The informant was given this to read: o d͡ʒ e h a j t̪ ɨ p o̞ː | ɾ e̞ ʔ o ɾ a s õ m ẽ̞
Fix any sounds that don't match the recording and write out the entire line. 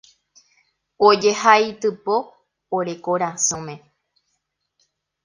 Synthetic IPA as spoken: o d͡ʒ e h a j t̪ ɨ p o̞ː | ɾ e̞ k o ɾ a s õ m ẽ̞